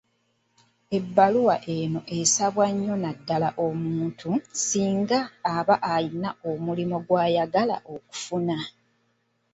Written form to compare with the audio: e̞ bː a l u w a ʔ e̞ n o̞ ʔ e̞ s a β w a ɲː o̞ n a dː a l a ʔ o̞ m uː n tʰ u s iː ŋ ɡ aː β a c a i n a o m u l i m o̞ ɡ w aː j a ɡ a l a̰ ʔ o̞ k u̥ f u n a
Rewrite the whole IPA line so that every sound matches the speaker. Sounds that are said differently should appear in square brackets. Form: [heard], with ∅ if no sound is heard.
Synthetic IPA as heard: e̞ bː a l u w a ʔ e̞ n o̞ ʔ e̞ s a β w a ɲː o̞ n a dː a l a ʔ o̞ m uː n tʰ u s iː ŋ ɡ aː β a [ʔ] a i n a o m u l i m o̞ ɡ w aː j a ɡ a l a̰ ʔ o̞ k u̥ f u n a